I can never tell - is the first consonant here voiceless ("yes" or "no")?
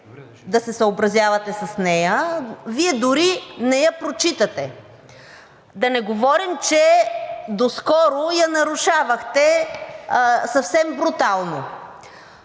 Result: no